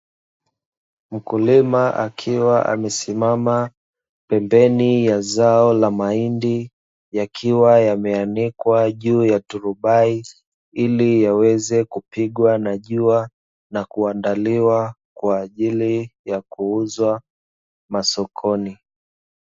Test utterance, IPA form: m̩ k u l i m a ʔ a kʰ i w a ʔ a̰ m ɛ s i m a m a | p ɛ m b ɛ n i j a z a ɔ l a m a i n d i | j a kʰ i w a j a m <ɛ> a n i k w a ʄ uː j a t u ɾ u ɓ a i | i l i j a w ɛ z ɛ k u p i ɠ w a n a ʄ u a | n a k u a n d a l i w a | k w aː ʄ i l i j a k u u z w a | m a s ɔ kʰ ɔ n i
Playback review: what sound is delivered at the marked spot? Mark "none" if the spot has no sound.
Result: ɛ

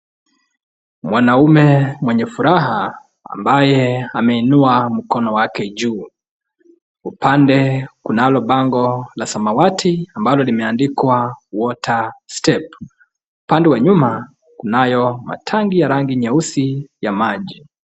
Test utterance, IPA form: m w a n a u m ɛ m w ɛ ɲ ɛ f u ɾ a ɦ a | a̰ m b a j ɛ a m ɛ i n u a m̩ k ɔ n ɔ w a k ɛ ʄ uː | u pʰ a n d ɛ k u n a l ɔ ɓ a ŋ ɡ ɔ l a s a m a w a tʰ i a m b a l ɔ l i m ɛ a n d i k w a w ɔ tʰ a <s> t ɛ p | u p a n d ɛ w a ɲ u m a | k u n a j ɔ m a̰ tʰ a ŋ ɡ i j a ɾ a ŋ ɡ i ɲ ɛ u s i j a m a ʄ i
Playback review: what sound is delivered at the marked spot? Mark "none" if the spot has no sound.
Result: s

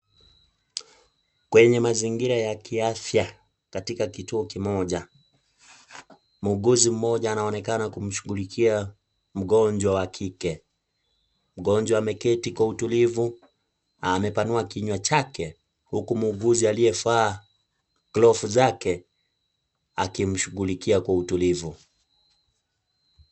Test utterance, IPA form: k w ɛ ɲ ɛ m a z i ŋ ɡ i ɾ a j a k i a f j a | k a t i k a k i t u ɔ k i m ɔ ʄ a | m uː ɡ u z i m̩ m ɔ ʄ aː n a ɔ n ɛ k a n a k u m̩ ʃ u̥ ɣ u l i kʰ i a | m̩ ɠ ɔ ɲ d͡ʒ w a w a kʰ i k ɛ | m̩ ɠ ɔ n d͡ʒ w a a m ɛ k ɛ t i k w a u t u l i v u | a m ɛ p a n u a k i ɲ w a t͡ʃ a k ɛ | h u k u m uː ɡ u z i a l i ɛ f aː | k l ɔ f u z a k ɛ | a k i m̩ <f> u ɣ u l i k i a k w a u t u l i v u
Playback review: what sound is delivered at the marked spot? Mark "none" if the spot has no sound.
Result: ʃ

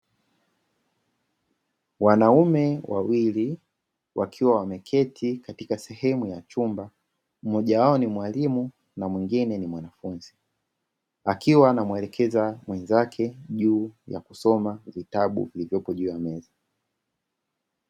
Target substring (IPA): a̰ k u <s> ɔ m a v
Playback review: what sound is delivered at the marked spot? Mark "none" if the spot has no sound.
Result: s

